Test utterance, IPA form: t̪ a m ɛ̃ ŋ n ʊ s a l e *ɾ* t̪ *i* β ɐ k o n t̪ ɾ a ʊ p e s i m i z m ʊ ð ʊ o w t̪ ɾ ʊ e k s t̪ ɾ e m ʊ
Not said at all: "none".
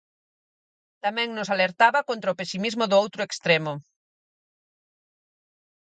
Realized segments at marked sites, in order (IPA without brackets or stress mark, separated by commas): ɾ, a